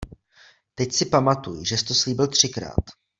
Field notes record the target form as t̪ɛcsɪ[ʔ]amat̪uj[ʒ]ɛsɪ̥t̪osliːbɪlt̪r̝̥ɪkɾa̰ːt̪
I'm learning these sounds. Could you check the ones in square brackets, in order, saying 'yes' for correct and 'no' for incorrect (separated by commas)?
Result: no, yes